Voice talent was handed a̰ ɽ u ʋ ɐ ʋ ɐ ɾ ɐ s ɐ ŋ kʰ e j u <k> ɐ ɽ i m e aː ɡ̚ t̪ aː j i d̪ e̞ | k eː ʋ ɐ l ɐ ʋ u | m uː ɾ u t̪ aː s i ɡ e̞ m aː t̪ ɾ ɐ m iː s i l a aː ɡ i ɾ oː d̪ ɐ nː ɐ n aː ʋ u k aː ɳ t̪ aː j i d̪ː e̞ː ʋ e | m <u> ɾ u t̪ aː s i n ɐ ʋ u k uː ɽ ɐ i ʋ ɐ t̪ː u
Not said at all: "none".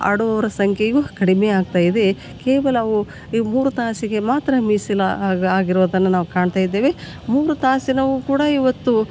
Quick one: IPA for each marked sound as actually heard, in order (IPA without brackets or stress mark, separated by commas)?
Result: k, uː